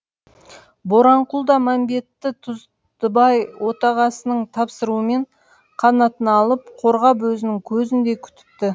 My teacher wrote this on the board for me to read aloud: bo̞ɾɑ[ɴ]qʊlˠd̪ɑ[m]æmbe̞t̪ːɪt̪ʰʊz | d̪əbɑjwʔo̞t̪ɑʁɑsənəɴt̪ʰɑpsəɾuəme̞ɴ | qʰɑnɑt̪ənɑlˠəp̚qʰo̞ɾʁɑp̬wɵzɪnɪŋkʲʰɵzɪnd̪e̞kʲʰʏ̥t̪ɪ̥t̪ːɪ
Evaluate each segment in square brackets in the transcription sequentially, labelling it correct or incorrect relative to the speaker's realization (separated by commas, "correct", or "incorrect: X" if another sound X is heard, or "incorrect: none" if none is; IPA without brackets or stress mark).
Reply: correct, correct